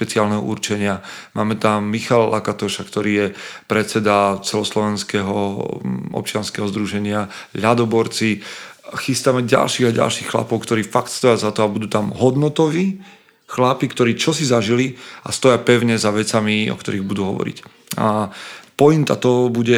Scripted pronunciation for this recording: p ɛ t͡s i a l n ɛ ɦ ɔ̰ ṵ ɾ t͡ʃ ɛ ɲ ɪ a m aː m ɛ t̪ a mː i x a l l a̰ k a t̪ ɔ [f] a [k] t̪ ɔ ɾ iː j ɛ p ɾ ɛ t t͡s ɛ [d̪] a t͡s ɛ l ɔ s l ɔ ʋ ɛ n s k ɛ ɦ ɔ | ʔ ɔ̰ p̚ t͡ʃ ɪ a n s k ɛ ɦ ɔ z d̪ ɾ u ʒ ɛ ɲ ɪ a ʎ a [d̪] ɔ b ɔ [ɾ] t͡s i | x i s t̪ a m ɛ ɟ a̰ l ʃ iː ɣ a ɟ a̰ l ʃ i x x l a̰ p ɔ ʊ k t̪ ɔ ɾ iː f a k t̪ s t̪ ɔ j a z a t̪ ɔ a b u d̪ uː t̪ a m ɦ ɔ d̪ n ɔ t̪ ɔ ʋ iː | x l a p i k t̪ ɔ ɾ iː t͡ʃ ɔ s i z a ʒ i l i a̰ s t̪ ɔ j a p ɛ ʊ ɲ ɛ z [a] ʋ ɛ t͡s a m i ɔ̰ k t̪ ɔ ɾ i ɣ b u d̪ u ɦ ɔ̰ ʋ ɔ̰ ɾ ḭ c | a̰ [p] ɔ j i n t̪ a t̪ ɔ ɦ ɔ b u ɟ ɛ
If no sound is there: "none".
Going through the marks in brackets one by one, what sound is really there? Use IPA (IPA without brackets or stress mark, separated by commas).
ʃ, k, d̪, d̪, ɾ, a, p